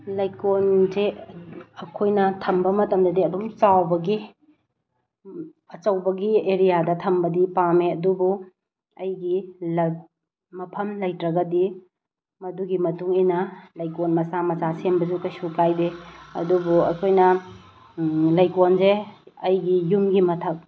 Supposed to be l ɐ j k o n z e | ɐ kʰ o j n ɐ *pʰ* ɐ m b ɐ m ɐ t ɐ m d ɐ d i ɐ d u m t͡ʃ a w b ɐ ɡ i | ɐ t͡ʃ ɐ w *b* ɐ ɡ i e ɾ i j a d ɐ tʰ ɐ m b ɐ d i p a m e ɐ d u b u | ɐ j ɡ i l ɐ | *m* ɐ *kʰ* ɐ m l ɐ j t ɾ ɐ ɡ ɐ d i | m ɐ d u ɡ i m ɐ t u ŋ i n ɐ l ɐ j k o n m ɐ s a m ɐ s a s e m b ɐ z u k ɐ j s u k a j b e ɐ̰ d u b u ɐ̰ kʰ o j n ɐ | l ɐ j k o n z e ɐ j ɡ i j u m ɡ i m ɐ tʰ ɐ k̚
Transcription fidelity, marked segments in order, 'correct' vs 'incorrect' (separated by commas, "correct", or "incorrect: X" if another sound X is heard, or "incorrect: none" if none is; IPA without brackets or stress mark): incorrect: tʰ, correct, correct, incorrect: pʰ